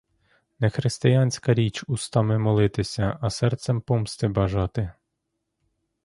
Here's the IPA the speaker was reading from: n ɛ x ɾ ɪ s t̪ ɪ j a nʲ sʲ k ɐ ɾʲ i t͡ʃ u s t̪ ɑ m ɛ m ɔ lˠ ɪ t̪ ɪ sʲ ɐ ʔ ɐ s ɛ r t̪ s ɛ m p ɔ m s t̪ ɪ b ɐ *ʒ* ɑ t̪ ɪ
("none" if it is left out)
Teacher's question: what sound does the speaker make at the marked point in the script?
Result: ʒ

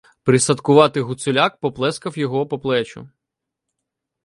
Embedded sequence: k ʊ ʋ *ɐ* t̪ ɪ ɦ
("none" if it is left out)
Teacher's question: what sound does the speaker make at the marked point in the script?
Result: ɑ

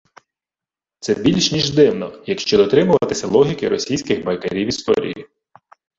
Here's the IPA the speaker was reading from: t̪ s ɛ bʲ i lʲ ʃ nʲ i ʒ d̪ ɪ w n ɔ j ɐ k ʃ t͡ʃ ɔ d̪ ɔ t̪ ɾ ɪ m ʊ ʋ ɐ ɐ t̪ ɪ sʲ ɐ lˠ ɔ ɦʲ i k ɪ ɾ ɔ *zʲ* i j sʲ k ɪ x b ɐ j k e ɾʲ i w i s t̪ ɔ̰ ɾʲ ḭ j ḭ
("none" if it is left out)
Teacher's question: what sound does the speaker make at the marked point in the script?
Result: sʲ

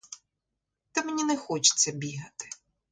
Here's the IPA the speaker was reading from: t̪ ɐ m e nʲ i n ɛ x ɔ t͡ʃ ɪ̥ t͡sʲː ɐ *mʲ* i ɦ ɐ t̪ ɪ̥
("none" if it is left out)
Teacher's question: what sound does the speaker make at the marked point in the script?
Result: bʲ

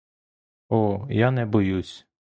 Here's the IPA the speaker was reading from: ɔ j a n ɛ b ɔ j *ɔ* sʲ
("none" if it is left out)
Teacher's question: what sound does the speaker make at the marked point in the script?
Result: u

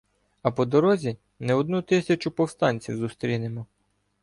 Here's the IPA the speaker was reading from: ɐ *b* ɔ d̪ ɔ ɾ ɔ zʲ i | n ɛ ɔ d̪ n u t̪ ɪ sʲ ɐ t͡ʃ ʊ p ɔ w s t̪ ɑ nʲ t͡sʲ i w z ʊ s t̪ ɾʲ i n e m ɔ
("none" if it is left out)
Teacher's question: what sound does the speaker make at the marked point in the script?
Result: p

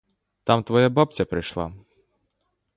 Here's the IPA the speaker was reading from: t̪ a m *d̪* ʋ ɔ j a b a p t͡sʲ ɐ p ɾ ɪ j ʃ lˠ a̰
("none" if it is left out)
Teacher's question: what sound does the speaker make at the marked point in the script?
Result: t̪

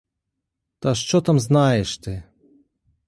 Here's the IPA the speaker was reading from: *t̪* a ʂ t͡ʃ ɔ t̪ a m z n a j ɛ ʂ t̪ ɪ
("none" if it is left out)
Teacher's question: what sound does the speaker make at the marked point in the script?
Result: t̪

